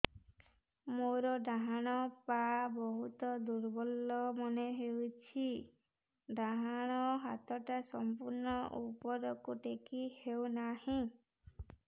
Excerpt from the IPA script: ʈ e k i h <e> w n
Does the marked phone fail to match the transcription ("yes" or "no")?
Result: no